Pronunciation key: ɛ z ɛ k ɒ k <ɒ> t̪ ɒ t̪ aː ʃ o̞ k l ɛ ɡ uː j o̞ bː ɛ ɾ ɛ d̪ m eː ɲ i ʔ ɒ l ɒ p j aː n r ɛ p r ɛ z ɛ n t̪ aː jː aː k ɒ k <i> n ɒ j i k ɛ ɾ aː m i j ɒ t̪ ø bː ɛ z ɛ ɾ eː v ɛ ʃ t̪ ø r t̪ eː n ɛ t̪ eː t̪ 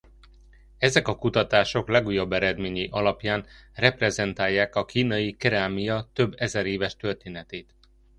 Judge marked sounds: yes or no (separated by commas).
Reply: no, no